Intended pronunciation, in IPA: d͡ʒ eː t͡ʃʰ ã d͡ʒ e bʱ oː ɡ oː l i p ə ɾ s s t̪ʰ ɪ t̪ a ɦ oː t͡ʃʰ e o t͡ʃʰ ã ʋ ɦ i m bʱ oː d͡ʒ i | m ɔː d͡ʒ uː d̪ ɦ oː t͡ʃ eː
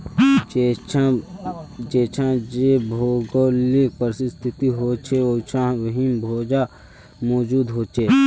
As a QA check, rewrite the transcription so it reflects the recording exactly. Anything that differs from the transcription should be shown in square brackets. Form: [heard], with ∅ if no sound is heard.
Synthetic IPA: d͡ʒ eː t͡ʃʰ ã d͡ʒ e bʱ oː ɡ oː l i p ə ɾ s s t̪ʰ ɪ t̪ [i] ɦ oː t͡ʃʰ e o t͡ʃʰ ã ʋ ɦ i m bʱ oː d͡ʒ [a] | m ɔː d͡ʒ uː d̪ ɦ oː t͡ʃ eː

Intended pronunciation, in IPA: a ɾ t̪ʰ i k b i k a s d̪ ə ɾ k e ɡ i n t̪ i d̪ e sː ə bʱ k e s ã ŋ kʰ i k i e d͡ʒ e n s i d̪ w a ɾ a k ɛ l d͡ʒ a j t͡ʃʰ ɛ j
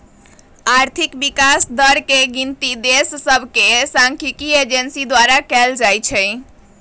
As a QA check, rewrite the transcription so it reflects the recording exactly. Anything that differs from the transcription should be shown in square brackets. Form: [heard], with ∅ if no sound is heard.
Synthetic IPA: a ɾ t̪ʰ i k b i k a s d̪ ə ɾ k e ɡ i n t̪ i d̪ e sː ə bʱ k e s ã ŋ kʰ i k i e d͡ʒ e n s i d̪ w a ɾ a k ɛ l d͡ʒ a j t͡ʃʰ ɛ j

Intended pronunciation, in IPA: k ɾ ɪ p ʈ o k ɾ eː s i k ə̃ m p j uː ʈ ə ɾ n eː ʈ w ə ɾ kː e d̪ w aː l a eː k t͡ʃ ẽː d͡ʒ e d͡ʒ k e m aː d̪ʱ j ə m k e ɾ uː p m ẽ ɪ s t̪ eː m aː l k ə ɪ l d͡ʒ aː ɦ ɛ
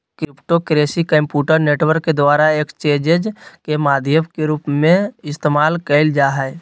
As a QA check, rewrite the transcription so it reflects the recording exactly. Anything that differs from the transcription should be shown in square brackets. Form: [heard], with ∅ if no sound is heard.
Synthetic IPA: k ɾ ɪ p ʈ o k ɾ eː s i k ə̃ m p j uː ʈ ə ɾ n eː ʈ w ə ɾ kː e d̪ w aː [ɾ] a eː k t͡ʃ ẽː d͡ʒ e d͡ʒ k e m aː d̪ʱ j ə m k e ɾ uː p m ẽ ɪ s t̪ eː m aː l k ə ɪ l d͡ʒ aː ɦ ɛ

